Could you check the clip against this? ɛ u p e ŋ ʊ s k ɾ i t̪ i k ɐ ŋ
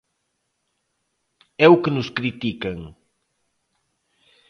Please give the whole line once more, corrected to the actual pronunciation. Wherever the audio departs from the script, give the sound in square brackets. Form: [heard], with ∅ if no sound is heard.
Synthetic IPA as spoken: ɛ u [k] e [n] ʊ s k ɾ i t̪ i k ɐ ŋ